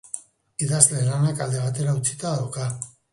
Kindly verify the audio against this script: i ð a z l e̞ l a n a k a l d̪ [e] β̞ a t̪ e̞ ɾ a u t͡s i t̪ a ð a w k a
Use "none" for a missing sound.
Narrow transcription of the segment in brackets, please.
e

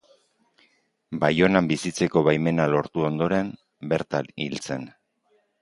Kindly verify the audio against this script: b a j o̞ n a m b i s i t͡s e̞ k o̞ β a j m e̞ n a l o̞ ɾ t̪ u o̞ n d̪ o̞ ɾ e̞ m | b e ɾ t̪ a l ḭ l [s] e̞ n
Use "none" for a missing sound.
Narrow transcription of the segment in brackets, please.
t͡s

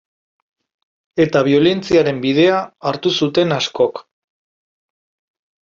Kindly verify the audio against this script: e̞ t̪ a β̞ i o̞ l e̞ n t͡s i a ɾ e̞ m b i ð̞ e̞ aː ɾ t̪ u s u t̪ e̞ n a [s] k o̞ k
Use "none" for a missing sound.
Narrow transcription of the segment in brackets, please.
s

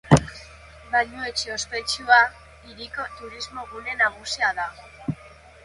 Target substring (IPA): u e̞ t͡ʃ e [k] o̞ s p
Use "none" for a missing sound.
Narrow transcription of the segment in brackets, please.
none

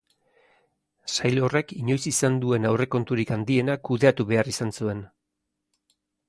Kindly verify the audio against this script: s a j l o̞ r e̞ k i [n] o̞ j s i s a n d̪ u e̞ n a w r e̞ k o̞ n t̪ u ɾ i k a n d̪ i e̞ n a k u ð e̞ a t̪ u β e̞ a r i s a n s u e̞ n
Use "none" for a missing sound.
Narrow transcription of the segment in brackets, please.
ɲ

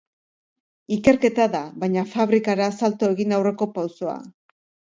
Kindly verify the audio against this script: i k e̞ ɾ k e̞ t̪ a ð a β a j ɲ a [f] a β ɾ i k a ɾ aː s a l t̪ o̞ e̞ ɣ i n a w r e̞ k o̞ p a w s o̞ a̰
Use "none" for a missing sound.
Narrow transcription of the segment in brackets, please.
f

